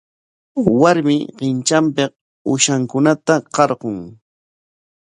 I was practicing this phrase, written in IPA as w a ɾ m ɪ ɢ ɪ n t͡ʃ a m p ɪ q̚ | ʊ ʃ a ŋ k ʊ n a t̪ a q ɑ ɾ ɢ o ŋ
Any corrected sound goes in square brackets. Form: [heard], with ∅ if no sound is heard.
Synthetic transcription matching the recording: w a ɾ m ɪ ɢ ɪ n t͡ʃ a m p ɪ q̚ | ʊ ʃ a ŋ k ʊ n a t̪ a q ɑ ɾ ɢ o ŋ